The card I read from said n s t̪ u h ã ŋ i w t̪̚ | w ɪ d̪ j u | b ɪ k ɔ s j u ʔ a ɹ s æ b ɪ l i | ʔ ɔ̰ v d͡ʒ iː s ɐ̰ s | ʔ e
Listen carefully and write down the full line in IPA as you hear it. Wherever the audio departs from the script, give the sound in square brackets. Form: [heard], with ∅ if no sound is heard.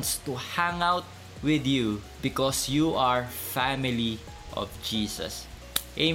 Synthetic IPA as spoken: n s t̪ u h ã ŋ [a] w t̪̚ | w ɪ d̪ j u | b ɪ k ɔ s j u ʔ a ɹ [f] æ [m] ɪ l i | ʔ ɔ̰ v d͡ʒ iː s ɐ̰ s | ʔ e